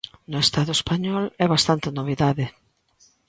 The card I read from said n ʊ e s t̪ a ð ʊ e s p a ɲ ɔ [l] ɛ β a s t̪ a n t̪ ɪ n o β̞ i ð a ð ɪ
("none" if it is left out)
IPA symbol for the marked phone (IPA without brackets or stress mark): l